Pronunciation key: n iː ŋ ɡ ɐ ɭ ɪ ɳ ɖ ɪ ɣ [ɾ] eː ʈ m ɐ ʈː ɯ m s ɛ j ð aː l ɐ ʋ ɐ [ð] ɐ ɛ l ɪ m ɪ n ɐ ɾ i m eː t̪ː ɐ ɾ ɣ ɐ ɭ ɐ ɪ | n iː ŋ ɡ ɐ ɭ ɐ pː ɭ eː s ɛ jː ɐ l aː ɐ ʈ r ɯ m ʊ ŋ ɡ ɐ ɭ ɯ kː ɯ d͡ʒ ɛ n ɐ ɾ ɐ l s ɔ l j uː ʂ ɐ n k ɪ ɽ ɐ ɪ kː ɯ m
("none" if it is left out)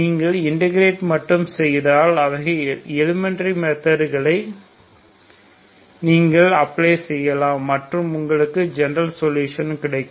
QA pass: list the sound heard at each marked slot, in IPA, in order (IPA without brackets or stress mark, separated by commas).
ɾ, ɣ